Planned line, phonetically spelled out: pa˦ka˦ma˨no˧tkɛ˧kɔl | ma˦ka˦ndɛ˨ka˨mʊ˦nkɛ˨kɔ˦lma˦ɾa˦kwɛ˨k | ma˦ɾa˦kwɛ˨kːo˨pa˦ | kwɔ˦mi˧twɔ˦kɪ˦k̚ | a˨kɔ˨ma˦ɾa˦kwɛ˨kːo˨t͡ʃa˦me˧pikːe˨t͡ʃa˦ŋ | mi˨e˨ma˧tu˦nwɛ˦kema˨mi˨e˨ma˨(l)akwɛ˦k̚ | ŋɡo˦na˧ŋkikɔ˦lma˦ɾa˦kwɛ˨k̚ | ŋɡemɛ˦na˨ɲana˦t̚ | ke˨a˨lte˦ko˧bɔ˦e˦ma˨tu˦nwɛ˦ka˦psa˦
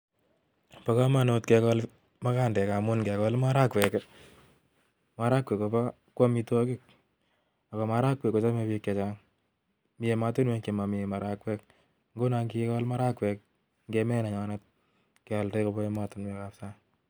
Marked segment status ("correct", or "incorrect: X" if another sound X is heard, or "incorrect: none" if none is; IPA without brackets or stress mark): incorrect: ɾ